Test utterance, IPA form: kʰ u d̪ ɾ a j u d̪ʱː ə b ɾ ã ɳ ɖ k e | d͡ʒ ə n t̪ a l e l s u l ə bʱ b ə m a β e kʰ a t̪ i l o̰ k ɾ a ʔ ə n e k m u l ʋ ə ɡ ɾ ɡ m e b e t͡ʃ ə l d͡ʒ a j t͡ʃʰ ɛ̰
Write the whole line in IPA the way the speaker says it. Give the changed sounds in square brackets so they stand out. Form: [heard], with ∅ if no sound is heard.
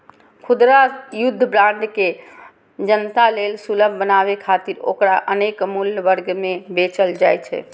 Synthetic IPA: kʰ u d̪ ɾ a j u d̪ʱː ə b ɾ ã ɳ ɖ k e | d͡ʒ ə n t̪ a l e l s u l ə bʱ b ə [n] a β e kʰ a t̪ i [ɾ] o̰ k ɾ a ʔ ə n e k m u l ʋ ə [∅] ɾ ɡ m e b e t͡ʃ ə l d͡ʒ a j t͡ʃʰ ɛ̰